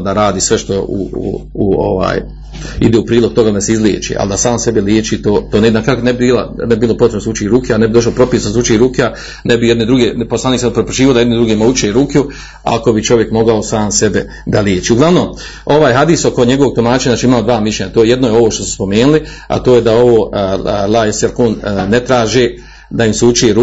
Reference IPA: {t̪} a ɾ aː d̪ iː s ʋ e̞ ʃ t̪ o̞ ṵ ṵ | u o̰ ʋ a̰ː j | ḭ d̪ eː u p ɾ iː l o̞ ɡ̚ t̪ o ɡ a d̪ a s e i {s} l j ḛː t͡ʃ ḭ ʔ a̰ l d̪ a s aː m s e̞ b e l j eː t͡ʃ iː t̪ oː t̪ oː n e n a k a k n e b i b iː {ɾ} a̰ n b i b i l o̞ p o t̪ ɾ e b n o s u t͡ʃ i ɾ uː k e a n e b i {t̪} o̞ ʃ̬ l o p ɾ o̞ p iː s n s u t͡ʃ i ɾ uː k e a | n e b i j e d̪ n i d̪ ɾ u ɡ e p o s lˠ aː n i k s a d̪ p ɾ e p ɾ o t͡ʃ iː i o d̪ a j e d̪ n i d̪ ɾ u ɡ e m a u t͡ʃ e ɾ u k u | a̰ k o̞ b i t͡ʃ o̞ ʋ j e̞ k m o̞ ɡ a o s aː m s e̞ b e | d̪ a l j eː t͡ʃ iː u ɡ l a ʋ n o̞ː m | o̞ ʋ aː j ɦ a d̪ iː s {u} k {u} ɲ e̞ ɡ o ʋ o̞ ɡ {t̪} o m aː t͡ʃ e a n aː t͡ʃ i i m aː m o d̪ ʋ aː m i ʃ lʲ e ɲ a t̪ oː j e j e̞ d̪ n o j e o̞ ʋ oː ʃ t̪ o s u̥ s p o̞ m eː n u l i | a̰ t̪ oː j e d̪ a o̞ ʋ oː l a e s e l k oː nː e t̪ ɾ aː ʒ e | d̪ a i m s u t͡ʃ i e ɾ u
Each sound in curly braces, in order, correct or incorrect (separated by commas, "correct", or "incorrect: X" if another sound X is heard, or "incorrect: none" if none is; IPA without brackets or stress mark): incorrect: d̪, incorrect: z, incorrect: l, incorrect: d̪, incorrect: o, incorrect: o, correct